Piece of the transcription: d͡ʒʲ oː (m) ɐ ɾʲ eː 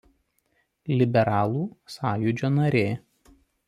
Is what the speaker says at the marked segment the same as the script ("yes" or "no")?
no